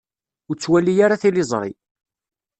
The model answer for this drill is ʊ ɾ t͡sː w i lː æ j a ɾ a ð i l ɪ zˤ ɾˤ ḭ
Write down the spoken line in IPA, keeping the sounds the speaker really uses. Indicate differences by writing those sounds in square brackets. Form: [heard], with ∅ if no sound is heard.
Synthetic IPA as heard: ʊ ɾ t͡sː w [æ] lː [i] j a ɾ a [θ] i l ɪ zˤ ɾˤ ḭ